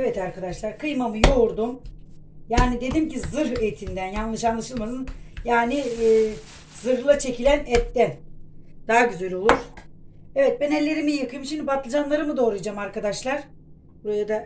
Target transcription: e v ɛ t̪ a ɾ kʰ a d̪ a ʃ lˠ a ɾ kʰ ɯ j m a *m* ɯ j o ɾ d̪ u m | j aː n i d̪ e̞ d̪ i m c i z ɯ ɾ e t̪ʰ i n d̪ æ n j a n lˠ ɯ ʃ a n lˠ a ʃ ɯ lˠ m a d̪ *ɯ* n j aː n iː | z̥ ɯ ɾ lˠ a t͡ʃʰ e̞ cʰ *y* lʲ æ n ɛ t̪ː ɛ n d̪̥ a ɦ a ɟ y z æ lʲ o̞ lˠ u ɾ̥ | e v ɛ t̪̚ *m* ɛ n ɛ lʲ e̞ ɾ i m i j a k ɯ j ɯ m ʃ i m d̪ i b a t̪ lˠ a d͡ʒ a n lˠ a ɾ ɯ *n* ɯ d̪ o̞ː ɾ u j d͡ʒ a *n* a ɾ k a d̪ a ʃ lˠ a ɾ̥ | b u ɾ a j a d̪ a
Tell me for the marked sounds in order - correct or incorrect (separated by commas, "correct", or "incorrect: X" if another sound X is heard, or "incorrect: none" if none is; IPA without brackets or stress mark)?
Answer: correct, correct, incorrect: i, incorrect: b, incorrect: m, incorrect: m